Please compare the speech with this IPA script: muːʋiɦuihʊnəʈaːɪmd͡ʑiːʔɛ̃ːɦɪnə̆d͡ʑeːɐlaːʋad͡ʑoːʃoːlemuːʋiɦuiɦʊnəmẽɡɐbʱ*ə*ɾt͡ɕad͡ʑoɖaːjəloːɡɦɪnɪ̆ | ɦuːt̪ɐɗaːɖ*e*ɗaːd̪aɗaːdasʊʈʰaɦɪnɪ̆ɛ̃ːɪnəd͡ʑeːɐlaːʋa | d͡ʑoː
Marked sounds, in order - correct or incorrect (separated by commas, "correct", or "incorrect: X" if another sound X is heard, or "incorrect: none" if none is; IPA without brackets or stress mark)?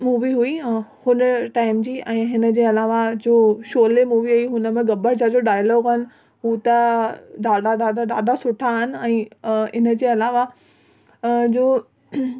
correct, incorrect: a